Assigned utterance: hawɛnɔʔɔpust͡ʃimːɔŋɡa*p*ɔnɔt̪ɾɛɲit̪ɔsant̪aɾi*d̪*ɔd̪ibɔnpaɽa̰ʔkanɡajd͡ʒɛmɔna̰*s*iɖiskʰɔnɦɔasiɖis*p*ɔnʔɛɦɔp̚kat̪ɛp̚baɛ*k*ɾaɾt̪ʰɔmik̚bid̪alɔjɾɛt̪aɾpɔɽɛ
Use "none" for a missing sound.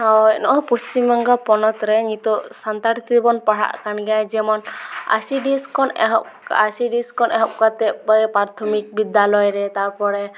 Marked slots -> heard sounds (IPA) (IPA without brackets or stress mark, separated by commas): p, t̪, s, k, p